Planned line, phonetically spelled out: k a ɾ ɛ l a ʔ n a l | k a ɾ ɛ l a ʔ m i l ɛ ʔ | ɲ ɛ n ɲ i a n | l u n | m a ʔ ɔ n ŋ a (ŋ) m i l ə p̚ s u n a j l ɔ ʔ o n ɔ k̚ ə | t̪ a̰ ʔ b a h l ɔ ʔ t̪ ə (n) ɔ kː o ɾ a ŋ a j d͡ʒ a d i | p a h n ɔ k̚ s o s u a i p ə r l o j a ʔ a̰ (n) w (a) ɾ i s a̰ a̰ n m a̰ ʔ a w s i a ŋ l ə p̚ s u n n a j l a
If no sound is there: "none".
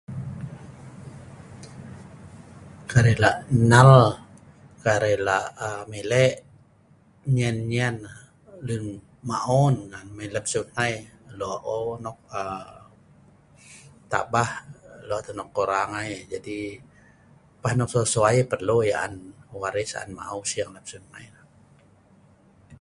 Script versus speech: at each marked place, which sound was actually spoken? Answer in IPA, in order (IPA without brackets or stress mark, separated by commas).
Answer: n, n, n, a